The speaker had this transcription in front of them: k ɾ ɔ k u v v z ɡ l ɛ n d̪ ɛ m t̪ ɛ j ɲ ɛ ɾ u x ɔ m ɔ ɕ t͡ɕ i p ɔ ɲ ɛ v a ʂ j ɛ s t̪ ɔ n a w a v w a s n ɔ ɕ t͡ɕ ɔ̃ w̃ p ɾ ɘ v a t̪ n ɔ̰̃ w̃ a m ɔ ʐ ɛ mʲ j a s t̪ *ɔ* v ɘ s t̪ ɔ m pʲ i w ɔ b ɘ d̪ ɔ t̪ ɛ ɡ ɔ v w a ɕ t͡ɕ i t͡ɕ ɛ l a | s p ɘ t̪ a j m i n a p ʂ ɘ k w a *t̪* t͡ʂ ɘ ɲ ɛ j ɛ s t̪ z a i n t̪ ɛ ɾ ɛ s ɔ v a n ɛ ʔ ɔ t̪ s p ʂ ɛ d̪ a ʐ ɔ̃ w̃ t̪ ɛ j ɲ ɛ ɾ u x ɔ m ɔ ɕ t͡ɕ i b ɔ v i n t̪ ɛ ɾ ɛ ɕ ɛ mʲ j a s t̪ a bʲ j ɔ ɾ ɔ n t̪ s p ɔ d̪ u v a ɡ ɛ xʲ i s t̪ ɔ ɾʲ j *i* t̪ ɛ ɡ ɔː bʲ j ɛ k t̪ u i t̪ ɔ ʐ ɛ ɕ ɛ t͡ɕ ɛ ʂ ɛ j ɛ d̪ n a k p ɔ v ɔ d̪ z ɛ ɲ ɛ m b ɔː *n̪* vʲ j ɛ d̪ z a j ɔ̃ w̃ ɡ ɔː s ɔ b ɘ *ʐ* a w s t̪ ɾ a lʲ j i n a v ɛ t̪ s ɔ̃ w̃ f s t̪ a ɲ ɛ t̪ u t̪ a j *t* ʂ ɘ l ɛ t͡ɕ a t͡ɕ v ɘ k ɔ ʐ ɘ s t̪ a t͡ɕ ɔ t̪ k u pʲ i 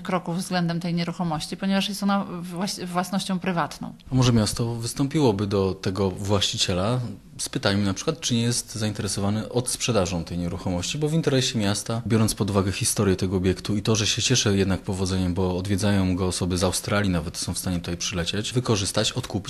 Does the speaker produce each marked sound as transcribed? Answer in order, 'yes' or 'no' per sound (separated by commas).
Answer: yes, yes, no, no, no, no